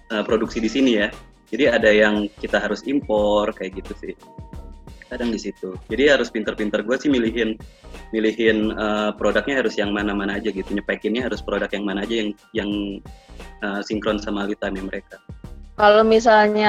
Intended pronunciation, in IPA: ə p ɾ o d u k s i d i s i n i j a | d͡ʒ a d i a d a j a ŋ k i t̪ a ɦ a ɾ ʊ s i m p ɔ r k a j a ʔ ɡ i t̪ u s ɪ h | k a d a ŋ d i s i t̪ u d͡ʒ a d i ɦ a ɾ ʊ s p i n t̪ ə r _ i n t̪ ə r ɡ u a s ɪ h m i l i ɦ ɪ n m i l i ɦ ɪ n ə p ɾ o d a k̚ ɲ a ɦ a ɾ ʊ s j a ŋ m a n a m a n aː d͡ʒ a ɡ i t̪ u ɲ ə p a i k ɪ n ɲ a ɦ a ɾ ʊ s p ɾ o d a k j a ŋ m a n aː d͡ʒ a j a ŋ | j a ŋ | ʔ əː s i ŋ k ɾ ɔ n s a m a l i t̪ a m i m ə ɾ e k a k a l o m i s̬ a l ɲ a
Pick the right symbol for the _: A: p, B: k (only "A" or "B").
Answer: A